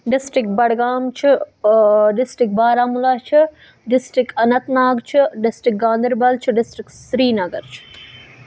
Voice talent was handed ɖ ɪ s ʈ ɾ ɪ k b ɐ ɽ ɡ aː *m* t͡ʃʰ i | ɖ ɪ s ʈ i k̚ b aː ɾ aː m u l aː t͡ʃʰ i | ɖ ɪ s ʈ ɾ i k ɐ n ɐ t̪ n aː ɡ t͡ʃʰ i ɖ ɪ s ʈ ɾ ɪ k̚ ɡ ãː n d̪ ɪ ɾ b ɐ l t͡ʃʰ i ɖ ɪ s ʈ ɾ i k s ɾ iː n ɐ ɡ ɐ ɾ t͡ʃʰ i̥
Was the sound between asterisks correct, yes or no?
yes